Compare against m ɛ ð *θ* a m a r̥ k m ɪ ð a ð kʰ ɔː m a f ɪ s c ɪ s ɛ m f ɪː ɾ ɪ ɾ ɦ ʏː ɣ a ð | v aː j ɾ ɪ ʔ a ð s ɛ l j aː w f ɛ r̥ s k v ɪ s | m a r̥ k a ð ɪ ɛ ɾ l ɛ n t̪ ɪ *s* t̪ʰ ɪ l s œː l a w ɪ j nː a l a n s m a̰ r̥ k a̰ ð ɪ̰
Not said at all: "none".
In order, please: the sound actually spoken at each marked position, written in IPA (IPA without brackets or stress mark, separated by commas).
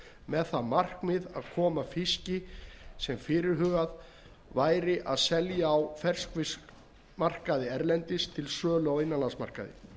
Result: θ, s